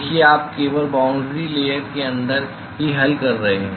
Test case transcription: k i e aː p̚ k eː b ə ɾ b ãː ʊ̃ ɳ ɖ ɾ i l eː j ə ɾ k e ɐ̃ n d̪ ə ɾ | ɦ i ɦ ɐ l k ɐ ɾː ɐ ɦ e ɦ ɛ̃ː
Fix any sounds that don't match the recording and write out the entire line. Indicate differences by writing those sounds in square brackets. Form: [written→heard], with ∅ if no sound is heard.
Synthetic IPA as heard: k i e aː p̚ k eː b ə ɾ b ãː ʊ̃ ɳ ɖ ɾ i l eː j ə ɾ k e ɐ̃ n d̪ ə ɾ | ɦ i ɦ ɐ l k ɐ ɾː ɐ ɦ e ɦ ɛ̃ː

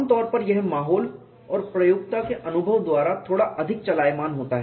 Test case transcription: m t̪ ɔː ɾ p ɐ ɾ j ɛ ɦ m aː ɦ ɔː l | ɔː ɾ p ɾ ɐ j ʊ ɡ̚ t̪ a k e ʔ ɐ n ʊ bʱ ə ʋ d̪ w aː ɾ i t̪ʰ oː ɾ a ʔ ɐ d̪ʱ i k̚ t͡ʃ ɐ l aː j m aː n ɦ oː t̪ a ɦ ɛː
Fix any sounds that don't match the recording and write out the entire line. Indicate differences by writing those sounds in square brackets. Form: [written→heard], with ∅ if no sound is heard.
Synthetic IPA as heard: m t̪ ɔː ɾ p ɐ ɾ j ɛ ɦ m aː ɦ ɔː l | ɔː ɾ p ɾ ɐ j ʊ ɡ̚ t̪ a k e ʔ ɐ n ʊ bʱ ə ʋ d̪ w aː ɾ [i→a] t̪ʰ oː [ɾ→ɽ] a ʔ ɐ d̪ʱ [i→ɪ] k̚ t͡ʃ ɐ l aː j m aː n ɦ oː t̪ a ɦ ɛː

